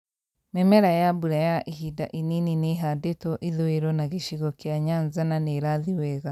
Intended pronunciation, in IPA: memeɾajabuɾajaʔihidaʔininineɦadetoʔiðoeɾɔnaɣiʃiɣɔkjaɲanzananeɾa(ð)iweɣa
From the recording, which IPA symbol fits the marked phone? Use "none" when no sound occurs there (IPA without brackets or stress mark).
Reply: ð